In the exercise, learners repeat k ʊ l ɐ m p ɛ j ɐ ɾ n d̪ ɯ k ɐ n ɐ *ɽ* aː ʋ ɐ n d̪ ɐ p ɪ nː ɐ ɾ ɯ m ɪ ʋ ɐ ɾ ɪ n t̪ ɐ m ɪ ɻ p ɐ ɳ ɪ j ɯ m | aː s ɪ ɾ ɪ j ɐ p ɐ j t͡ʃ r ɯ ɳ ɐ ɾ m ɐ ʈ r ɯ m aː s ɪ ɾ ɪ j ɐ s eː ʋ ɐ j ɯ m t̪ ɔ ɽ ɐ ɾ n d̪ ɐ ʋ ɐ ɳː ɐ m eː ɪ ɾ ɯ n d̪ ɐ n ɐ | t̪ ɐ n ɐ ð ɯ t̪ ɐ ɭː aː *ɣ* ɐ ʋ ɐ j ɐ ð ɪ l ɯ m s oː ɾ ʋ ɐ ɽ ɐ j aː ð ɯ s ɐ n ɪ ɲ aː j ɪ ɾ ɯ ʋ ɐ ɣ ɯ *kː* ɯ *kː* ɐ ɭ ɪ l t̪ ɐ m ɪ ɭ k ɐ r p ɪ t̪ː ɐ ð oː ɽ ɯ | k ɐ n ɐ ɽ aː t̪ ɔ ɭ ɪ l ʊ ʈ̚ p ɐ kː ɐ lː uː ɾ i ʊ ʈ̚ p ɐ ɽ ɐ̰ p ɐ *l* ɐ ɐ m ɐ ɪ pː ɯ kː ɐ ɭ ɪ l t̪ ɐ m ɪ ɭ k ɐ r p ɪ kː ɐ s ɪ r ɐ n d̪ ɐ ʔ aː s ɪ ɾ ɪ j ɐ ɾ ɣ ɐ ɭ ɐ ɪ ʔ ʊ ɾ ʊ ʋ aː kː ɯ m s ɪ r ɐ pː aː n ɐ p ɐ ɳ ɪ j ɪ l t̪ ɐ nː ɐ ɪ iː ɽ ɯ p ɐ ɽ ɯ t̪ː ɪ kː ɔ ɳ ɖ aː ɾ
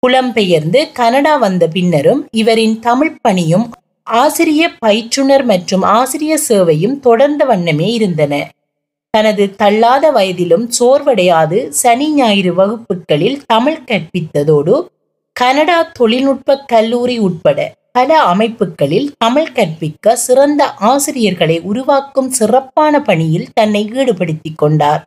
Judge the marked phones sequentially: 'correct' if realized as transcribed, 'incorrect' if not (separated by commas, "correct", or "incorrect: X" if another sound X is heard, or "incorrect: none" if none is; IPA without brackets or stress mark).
correct, incorrect: ð, incorrect: pː, correct, correct